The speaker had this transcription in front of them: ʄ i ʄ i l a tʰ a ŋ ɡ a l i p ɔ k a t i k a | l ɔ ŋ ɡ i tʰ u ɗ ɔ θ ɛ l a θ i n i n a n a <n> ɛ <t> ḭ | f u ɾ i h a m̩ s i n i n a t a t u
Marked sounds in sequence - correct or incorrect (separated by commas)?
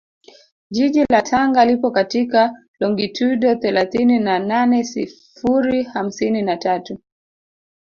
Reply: correct, incorrect